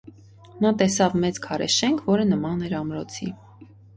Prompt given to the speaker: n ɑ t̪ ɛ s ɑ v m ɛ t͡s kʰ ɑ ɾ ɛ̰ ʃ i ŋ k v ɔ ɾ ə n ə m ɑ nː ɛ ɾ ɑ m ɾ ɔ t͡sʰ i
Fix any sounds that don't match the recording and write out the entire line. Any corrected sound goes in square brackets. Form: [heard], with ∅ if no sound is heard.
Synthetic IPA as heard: n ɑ t̪ ɛ s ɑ v m ɛ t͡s kʰ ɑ ɾ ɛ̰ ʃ [ɛ] ŋ [kʰ] v ɔ ɾ ə n ə m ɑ [n] ɛ ɾ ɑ m ɾ ɔ t͡sʰ i